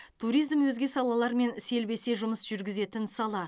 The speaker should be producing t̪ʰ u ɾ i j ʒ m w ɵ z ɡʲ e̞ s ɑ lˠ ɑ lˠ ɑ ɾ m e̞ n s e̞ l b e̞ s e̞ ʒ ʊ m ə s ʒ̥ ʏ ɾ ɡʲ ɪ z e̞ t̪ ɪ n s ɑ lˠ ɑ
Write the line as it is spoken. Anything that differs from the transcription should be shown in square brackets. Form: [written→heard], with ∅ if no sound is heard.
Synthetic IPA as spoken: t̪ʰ u ɾ i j [ʒ→z] m w ɵ z ɡʲ e̞ s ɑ lˠ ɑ lˠ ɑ ɾ m e̞ n s e̞ l b e̞ s e̞ ʒ ʊ m ə s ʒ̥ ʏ ɾ ɡʲ ɪ z e̞ t̪ ɪ n s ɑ lˠ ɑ